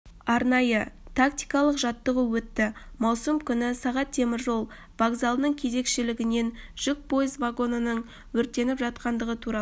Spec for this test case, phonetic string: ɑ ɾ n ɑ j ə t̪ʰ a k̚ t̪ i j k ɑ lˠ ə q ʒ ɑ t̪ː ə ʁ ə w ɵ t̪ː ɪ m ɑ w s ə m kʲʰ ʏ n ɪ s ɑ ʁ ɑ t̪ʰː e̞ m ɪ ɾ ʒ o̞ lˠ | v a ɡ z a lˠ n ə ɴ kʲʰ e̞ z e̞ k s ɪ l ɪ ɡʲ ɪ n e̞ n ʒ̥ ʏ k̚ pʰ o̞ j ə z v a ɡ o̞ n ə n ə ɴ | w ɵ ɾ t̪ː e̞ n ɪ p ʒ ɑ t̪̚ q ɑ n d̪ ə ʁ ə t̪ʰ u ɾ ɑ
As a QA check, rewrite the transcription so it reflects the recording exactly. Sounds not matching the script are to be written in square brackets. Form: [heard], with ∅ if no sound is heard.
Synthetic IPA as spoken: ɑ ɾ n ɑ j ə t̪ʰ a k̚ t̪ i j k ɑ lˠ ə q ʒ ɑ t̪ː ə ʁ ə w ɵ t̪ː ɪ m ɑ w s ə m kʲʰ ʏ n ɪ s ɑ ʁ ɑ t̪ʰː e̞ m ɪ ɾ ʒ o̞ lˠ | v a ɡ z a lˠ n ə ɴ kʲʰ e̞ z e̞ k [ʃ] ɪ l ɪ ɡʲ ɪ n e̞ n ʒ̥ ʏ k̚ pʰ o̞ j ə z v a ɡ o̞ n ə n ə ɴ | w ɵ ɾ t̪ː e̞ n ɪ p ʒ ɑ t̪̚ q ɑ n d̪ ə ʁ ə t̪ʰ u ɾ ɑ

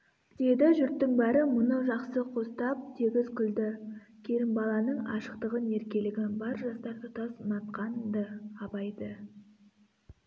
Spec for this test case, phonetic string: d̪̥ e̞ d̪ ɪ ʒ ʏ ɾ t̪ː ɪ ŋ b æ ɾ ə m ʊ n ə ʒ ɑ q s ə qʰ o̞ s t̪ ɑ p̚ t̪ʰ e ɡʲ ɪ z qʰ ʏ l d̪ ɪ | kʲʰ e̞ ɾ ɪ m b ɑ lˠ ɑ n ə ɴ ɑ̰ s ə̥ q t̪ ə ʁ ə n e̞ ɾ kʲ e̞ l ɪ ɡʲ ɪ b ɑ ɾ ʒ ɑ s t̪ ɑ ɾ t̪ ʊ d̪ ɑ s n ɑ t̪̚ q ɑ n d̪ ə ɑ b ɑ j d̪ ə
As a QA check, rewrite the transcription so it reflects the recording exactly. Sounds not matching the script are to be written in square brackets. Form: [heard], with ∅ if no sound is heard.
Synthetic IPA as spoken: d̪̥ e̞ d̪ ɪ ʒ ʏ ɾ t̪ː ɪ ŋ b æ ɾ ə m ʊ n ə ʒ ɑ q s ə qʰ o̞ s t̪ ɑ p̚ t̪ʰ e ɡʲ ɪ z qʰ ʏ l d̪ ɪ | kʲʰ e̞ ɾ ɪ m b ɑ lˠ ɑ n ə ɴ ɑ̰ [ʃ] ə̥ q t̪ ə ʁ ə n e̞ ɾ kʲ e̞ l ɪ ɡʲ ɪ b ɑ ɾ ʒ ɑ s t̪ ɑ ɾ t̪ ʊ [t̪] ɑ s n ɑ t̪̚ q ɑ n d̪ ə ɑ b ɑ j d̪ ə

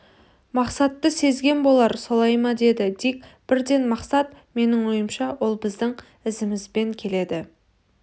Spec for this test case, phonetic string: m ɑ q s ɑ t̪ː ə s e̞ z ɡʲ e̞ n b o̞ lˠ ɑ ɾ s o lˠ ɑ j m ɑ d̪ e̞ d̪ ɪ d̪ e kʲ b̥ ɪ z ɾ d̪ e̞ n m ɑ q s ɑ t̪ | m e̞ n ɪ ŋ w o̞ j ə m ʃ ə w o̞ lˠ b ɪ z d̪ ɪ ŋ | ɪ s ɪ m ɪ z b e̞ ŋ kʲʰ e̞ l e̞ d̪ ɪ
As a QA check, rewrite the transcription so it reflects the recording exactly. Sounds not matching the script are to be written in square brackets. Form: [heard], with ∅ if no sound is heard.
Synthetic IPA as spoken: m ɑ q s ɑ t̪ː ə s e̞ z ɡʲ e̞ n b o̞ lˠ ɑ ɾ s o lˠ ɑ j m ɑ d̪ e̞ d̪ ɪ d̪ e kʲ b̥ ɪ [∅] ɾ d̪ e̞ n m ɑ q s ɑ t̪ | m e̞ n ɪ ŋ w o̞ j ə m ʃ [ɑ] w o̞ lˠ b ɪ z d̪ ɪ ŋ | ɪ [z] ɪ m ɪ z b e̞ ŋ kʲʰ e̞ l e̞ d̪ ɪ

